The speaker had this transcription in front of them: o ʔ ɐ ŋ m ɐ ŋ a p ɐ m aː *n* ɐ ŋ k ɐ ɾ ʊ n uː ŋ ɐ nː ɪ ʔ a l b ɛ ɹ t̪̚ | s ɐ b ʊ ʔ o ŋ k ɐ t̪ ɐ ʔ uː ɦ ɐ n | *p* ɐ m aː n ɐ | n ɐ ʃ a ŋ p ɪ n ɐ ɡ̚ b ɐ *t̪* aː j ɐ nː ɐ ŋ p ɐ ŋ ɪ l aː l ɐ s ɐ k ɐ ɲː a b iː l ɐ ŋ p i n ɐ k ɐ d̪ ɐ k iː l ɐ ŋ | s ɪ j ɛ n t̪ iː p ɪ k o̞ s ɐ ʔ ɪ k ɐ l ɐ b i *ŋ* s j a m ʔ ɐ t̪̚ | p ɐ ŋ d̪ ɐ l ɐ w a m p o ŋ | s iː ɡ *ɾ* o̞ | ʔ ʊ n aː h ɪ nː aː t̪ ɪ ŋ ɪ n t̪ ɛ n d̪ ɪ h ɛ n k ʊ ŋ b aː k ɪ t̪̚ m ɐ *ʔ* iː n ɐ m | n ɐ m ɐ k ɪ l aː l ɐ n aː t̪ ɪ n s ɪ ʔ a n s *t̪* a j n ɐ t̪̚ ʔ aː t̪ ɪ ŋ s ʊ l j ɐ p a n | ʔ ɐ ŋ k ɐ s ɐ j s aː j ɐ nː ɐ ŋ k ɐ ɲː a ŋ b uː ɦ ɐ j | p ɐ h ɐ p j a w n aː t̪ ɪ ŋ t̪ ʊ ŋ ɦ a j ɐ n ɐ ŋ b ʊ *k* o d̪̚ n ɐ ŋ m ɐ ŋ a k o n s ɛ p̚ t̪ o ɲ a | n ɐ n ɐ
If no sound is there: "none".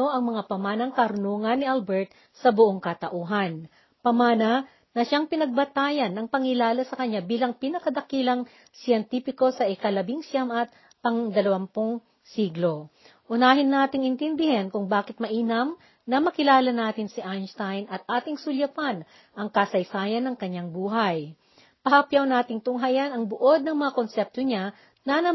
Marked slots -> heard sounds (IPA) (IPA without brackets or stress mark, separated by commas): n, p, t̪, ŋ, l, ʔ, t̪, ʔ